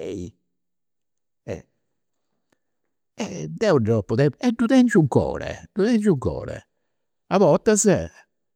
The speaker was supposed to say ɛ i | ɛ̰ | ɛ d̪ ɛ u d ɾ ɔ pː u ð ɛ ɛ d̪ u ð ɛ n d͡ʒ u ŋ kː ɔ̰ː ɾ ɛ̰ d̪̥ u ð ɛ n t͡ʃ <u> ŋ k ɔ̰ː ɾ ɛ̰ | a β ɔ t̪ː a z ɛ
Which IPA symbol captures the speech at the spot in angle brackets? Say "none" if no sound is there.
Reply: u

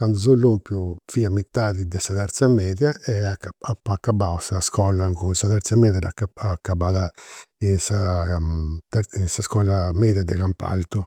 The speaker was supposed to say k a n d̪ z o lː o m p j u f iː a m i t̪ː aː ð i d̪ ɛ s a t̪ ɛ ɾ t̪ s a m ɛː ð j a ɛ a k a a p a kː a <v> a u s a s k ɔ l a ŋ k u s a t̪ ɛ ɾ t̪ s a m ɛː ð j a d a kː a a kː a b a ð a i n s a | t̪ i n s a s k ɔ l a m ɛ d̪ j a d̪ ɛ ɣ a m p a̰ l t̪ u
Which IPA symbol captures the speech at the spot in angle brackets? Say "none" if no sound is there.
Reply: b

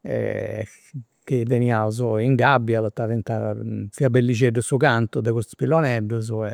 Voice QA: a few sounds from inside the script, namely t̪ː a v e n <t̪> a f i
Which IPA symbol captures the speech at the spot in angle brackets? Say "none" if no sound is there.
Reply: t̪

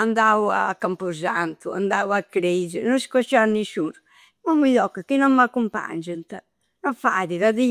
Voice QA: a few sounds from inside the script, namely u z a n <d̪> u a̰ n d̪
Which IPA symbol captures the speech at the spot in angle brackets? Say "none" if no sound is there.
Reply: t̪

